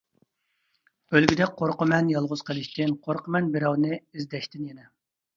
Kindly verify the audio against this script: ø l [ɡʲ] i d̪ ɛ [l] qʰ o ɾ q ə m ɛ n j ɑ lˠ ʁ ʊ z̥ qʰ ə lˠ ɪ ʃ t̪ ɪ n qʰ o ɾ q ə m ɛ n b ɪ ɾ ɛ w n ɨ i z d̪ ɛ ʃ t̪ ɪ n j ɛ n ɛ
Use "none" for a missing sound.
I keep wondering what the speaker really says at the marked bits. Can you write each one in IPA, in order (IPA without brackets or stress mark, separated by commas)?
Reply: ɡʲ, none